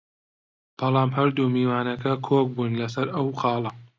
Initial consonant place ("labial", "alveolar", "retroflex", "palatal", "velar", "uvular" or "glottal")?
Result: labial